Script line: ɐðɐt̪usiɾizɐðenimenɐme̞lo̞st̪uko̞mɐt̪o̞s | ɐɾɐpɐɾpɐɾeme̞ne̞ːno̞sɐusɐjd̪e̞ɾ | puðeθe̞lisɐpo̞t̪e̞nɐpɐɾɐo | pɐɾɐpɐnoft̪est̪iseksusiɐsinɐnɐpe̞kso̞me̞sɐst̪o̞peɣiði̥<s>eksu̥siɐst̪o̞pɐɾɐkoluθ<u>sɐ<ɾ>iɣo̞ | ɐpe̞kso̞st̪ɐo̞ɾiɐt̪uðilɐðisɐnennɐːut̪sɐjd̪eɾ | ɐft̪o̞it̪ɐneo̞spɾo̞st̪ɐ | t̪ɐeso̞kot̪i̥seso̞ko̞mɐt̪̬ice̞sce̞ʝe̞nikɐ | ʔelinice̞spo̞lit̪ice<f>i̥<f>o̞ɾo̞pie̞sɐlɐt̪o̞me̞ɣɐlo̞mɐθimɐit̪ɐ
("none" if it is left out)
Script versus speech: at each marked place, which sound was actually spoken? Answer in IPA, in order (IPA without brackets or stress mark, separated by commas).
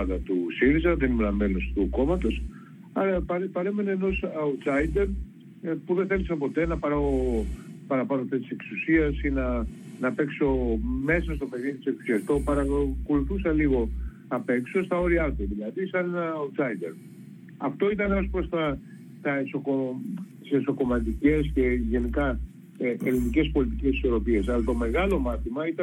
s, u, l, s, s